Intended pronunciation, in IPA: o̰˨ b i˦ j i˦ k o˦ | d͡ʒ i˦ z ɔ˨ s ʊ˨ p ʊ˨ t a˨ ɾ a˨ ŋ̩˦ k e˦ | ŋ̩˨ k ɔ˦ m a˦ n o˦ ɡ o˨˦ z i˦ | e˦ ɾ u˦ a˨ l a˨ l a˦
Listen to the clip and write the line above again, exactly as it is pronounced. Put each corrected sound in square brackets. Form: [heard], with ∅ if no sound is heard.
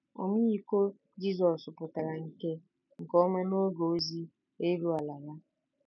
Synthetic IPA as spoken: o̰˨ [m] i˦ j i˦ k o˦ | d͡ʒ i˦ z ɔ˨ s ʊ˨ p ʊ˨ t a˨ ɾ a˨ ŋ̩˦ k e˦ | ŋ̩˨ k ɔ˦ m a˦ n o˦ ɡ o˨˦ z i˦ | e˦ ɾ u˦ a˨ l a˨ l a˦